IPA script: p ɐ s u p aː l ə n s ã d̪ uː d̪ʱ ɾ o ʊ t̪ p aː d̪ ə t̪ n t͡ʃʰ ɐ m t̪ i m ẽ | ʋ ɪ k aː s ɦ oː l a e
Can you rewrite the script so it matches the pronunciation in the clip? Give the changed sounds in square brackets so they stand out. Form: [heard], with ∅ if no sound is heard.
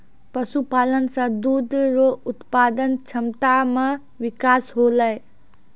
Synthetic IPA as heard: p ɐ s u p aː l ə n s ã d̪ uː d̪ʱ ɾ o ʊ t̪ p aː d̪ ə [∅] n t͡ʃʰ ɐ m t̪ [a] m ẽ | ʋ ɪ k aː s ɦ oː l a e